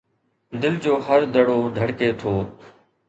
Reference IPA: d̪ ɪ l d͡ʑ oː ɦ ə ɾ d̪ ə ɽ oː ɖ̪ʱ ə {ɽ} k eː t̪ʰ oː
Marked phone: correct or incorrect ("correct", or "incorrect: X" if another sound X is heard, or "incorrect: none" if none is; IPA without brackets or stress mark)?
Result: correct